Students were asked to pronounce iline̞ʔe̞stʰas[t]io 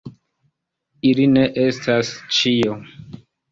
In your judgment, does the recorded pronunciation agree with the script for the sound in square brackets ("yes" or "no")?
no